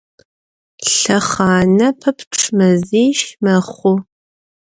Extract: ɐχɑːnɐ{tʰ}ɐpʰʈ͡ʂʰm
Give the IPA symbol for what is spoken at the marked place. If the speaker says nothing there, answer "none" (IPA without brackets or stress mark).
pʰ